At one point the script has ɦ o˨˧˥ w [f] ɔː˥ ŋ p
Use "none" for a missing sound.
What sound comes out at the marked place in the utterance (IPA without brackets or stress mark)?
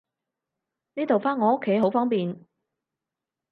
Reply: f